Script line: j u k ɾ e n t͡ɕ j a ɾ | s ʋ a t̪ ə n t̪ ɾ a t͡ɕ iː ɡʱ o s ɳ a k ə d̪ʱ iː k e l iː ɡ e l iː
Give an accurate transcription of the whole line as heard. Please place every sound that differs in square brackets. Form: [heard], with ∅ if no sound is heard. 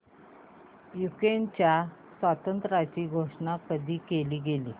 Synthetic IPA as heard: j u k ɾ e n t͡ɕ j a [∅] | s ʋ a t̪ ə n t̪ ɾ a t͡ɕ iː ɡʱ o [ʂ] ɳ a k ə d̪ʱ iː k e l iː ɡ e l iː